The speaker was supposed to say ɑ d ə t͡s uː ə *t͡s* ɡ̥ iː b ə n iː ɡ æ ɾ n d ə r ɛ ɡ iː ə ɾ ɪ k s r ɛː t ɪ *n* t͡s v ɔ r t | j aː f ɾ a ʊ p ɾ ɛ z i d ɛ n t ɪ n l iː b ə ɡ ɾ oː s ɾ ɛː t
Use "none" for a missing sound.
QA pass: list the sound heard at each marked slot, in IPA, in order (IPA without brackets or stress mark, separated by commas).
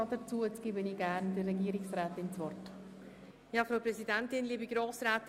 t͡s, n